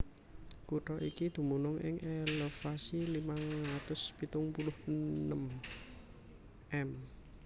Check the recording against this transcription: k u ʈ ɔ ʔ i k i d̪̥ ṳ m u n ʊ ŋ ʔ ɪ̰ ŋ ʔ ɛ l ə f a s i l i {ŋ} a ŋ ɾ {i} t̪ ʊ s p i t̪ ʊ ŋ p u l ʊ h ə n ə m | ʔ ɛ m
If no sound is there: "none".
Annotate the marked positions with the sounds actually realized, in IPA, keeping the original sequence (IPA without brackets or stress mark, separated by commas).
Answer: m, a